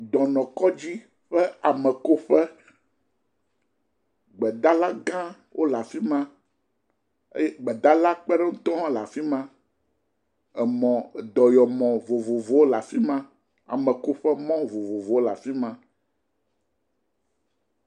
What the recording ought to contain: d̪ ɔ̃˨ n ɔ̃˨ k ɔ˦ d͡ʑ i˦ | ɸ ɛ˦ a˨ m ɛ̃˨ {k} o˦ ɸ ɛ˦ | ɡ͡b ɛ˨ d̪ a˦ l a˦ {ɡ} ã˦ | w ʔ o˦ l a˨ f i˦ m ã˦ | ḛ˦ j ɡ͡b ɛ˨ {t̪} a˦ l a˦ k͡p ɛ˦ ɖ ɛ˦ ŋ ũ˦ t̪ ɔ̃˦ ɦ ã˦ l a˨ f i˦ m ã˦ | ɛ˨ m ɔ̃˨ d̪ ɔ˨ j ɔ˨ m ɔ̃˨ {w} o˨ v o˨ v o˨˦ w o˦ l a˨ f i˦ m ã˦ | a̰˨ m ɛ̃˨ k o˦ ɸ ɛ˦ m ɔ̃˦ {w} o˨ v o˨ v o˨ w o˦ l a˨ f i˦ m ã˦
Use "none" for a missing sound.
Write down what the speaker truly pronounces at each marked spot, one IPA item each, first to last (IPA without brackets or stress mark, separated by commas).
k, ɡ, d̪, v, v